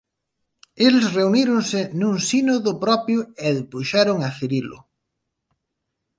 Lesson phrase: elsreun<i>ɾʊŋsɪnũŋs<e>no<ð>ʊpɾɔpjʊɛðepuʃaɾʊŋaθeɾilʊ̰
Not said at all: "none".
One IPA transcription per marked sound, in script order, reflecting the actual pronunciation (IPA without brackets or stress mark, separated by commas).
i, i, ð